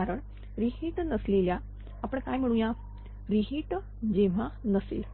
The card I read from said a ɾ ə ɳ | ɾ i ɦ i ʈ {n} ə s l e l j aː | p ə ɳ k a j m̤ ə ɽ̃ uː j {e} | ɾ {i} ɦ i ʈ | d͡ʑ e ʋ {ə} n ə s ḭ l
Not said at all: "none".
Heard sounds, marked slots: n, a, i, a

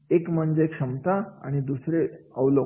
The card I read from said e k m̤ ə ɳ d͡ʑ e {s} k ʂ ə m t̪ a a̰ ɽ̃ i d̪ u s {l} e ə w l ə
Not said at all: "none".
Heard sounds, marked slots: none, ɾ

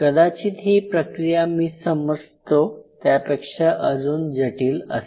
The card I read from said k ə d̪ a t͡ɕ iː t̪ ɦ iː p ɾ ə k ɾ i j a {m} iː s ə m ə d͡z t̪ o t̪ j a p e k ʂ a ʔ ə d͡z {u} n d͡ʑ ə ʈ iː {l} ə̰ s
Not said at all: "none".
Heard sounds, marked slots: m, uː, l

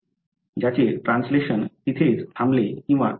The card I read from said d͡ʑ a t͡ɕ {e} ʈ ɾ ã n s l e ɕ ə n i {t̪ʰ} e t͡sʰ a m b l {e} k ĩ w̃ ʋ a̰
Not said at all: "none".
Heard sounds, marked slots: e, t̪ʰ, e

